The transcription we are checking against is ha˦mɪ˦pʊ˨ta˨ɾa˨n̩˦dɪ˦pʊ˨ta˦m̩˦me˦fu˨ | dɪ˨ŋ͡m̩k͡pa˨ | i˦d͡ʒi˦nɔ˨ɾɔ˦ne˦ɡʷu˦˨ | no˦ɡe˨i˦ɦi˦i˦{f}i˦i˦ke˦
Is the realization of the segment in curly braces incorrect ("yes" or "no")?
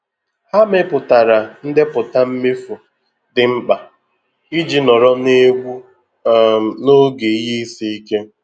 yes